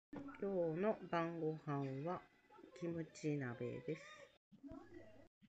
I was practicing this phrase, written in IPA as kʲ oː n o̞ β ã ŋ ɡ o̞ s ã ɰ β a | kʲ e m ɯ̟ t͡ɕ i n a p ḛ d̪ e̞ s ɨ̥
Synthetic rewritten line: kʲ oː n o̞ b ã ŋ ɡ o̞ h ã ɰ β a | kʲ i m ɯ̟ t͡ɕ i n a b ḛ d̪ e̞ s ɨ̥